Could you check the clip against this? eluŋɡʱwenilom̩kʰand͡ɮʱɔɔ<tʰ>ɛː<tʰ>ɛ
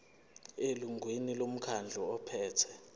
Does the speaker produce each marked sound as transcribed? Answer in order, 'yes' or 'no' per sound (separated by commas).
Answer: no, yes